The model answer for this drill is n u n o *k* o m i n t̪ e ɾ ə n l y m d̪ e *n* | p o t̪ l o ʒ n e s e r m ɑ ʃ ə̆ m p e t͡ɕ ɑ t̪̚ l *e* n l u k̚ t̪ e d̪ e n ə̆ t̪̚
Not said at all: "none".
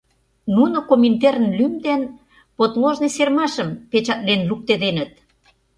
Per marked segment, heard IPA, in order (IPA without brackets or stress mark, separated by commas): k, n, e